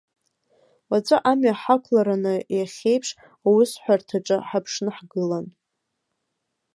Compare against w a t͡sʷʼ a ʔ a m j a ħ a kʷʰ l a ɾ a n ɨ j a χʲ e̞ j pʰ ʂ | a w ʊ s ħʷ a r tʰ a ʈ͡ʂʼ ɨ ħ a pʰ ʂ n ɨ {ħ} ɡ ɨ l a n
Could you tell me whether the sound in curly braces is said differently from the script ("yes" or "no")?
no